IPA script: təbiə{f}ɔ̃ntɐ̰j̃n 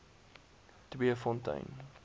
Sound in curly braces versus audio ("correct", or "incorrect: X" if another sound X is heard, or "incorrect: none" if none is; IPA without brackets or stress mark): correct